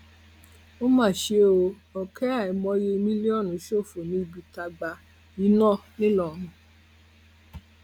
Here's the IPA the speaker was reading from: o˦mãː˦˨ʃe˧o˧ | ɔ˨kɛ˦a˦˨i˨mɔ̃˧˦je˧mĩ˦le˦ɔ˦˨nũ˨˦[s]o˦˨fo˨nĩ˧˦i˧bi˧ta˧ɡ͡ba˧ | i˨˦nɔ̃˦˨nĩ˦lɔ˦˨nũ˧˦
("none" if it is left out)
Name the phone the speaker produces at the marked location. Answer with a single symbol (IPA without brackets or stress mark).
ʃ